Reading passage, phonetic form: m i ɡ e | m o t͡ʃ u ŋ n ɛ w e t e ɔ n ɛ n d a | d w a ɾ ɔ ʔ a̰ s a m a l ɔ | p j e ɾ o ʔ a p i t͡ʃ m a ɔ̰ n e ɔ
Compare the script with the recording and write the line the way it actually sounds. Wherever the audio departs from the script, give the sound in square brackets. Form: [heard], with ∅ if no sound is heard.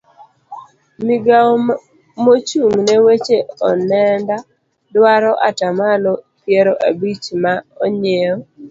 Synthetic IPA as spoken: m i ɡ [a] | m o t͡ʃ u ŋ n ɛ w e [t͡ʃ] e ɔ n ɛ n d a | d w a ɾ ɔ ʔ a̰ [t] a m a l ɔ | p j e ɾ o ʔ a [b] i t͡ʃ m a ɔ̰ [ɲ] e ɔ